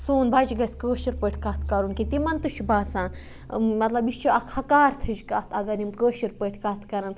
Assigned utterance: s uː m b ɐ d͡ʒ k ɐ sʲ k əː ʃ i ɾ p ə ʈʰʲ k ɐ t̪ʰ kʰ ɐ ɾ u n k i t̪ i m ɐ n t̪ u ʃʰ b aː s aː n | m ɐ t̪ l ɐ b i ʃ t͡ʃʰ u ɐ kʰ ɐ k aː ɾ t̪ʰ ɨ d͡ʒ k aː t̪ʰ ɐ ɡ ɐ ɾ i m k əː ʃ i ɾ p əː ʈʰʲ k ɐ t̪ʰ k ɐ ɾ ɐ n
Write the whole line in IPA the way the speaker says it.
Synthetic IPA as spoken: s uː n b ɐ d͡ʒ ɡ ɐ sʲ k əː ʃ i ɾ p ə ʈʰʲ k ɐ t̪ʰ k ɐ ɾ u n k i t̪ i m ɐ n t̪ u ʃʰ b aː s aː n | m ɐ t̪ l ɐ b i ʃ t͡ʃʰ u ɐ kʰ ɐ k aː ɾ t̪ʰ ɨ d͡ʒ k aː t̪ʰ ɐ ɡ ɐ ɾ i m k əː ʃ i ɾ p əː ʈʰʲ k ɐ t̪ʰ k ɐ ɾ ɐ n